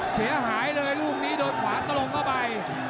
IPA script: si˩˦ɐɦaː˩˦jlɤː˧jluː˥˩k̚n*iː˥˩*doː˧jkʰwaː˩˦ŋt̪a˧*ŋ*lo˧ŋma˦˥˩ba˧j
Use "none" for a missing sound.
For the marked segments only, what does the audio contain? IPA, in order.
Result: iː˦˥, none

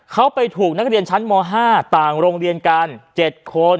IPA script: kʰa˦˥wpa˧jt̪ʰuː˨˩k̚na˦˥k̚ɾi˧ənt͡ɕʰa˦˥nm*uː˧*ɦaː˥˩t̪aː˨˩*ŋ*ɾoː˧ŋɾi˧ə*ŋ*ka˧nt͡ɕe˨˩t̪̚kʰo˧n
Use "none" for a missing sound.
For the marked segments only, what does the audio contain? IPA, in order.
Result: ɔː˧, ŋ, n

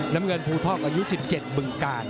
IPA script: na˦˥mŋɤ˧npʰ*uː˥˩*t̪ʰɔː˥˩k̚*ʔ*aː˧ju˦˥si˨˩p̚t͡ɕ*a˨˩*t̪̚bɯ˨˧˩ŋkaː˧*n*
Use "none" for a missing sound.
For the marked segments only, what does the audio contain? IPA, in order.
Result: uː˧, ʔ, e˨˩, n

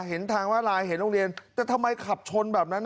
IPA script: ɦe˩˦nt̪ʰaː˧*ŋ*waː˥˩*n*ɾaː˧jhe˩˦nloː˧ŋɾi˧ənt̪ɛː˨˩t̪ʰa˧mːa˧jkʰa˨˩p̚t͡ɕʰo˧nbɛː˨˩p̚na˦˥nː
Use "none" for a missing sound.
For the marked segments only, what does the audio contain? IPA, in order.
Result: ŋ, none

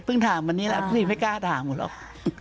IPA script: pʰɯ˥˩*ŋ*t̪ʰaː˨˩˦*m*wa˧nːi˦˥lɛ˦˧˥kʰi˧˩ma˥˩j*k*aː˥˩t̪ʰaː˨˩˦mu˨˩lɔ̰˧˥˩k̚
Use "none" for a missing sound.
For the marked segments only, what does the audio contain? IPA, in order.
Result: ŋ, m, k

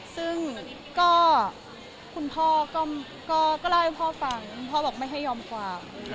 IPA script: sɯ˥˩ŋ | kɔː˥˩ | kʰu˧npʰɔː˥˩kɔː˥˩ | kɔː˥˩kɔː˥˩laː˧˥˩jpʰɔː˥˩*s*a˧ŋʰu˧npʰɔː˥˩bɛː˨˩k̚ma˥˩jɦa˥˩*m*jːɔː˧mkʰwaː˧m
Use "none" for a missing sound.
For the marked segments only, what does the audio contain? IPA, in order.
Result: f, none

